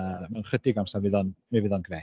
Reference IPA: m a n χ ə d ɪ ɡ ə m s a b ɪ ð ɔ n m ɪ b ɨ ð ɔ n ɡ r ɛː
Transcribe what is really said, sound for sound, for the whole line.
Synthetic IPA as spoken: m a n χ ə d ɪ ɡ a m s a v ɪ ð ɔ n m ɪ v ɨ ð ɔ n ɡ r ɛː